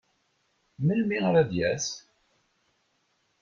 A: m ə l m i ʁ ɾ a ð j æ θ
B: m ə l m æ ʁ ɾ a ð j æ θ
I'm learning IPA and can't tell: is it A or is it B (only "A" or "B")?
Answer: A